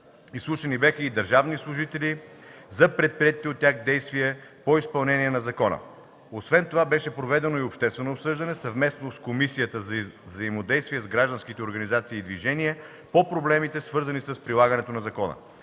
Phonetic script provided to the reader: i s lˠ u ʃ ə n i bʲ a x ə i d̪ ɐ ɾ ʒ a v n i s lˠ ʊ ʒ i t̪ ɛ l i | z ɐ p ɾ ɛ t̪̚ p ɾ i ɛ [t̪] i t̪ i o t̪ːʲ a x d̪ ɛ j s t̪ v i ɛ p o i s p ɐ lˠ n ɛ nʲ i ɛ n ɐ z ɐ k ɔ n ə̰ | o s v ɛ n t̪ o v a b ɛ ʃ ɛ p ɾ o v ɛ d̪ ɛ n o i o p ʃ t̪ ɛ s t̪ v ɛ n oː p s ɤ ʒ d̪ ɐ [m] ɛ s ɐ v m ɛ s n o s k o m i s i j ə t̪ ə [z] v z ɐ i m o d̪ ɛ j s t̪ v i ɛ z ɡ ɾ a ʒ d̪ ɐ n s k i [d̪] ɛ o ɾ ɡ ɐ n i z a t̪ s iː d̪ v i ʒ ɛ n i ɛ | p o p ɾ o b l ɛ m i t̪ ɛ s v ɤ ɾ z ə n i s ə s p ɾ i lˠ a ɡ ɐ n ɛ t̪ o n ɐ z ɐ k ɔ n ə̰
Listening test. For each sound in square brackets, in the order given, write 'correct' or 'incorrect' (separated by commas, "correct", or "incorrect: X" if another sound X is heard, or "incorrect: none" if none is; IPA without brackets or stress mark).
correct, incorrect: n, correct, incorrect: t̪